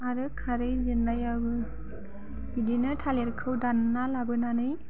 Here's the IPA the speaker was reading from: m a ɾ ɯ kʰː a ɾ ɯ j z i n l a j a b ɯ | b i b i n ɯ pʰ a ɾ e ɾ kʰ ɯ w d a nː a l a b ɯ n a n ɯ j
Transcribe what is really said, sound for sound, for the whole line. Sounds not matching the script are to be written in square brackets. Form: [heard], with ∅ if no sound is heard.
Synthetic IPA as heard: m a ɾ ɯ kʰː a ɾ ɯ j z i n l a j a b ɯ | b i [d] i n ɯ [tʰ] a [l] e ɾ kʰ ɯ w d a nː a l a b ɯ n a n ɯ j